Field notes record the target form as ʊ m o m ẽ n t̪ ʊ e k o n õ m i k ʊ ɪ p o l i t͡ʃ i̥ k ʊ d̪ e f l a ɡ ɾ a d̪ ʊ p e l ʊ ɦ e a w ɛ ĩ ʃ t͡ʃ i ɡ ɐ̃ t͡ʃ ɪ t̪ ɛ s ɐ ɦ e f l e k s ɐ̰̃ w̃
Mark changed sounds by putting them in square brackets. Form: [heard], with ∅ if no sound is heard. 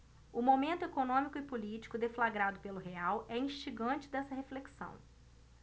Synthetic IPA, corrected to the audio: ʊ m o m ẽ n t̪ ʊ e k o n õ m i k ʊ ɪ p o l i t͡ʃ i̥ k ʊ d̪ e f l a ɡ ɾ a d̪ ʊ p e l ʊ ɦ e a w ɛ ĩ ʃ t͡ʃ i ɡ ɐ̃ t͡ʃ ɪ [d̪] ɛ s ɐ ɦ e f l e k s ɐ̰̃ w̃